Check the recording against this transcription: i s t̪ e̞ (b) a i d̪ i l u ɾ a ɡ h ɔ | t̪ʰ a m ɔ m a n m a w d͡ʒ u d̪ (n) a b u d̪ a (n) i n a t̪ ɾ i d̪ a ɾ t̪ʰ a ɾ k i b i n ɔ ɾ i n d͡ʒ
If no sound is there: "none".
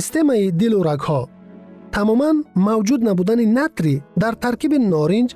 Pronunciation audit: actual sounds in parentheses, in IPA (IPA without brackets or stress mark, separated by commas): m, n, n